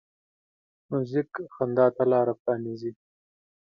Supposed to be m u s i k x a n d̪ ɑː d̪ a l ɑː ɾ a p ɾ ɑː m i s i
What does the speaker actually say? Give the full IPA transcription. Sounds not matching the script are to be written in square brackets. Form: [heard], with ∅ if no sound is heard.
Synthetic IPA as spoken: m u [z] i k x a n d̪ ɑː [t̪] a l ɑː ɾ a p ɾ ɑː [n] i [z] i